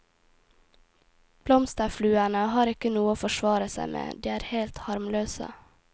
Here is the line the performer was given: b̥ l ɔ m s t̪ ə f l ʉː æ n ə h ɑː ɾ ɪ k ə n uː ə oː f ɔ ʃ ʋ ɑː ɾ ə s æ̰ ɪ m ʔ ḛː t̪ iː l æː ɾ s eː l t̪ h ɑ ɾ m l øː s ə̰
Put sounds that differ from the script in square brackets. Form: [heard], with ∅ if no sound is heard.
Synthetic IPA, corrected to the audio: b̥ l ɔ m s t̪ ə f l ʉː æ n ə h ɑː ɾ ɪ k ə n uː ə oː f ɔ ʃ ʋ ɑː ɾ ə s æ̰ ɪ m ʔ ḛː [d̪] iː [∅] æː ɾ [h] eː l t̪ h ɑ ɾ m l øː s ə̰